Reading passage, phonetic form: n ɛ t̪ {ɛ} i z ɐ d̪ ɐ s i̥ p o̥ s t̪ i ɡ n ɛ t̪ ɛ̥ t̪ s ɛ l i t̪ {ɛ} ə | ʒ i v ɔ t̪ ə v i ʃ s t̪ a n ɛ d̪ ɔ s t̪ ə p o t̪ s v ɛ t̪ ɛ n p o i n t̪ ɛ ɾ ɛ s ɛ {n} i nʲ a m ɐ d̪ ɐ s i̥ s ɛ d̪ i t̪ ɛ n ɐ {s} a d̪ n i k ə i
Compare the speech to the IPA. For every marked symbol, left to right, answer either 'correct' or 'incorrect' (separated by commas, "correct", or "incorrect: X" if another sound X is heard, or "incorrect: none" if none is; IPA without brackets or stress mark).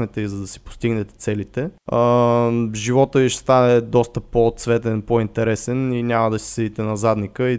correct, correct, correct, incorrect: z